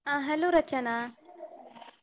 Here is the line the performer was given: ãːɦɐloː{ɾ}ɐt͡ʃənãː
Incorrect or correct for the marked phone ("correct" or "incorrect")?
correct